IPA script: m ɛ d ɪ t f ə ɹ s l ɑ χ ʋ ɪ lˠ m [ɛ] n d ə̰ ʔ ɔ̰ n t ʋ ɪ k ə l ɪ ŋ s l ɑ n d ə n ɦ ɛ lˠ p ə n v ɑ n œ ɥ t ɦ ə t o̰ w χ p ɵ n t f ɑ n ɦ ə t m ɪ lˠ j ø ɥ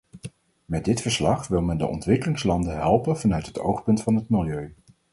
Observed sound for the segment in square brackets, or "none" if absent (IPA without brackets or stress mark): ɛ